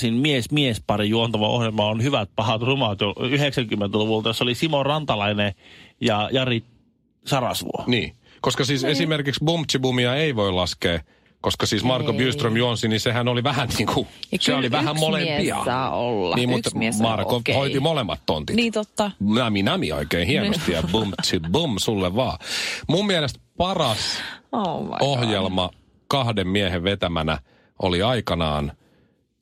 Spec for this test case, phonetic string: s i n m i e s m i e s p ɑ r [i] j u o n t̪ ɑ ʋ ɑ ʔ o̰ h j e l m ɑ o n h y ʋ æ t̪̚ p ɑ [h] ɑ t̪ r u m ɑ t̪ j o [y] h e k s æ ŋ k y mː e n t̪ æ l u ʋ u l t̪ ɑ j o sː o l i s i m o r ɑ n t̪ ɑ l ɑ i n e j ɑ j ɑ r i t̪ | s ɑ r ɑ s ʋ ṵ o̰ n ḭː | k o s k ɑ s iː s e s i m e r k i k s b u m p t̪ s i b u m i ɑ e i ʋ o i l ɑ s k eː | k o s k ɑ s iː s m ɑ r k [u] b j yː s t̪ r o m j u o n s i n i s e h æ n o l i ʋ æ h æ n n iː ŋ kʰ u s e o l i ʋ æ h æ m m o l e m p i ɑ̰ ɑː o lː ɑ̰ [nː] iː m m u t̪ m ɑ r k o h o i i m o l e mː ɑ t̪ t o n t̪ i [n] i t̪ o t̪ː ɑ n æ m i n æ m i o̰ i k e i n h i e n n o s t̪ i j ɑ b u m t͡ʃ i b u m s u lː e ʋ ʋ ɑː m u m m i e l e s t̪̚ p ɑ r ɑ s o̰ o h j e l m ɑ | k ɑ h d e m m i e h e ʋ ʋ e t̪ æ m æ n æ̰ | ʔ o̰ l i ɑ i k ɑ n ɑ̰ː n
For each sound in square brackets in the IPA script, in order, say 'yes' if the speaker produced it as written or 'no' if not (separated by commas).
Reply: yes, yes, yes, no, no, yes